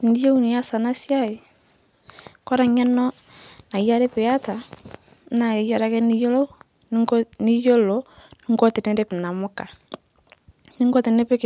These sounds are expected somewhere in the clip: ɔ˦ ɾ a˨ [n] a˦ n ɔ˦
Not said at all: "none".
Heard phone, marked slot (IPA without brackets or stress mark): ɲ